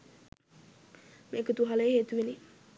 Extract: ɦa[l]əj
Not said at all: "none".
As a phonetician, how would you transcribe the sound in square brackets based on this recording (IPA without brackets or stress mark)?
l